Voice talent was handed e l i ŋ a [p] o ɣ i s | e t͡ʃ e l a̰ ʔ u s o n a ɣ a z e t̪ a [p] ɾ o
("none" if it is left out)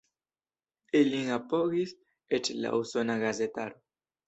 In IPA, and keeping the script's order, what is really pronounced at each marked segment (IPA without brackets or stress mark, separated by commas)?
p, none